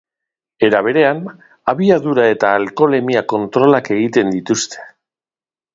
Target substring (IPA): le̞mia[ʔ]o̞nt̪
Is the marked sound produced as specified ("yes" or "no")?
no